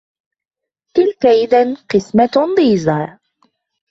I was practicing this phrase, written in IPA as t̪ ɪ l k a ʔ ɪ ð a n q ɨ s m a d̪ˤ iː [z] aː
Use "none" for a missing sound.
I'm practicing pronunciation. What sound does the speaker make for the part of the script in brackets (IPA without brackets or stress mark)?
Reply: z